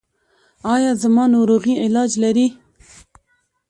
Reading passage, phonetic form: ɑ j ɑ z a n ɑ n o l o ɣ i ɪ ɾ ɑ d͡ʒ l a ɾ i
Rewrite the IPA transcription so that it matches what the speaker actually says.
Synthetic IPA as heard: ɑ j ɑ z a m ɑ n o ɾ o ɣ i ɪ l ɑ d͡ʒ l a ɾ i